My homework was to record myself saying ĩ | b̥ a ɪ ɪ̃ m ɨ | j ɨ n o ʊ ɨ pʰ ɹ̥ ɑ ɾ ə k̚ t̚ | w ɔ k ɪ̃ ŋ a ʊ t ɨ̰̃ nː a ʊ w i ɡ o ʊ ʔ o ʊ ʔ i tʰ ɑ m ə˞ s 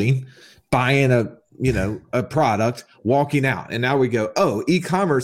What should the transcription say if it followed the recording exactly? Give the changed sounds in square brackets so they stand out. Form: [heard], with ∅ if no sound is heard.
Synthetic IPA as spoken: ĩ | b̥ a ɪ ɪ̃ [ŋ] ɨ | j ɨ n o ʊ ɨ pʰ ɹ̥ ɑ ɾ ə k̚ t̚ | w ɔ k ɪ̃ ŋ a ʊ t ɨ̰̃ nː a ʊ w i ɡ o ʊ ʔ o ʊ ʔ i [kʰ] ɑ m ə˞ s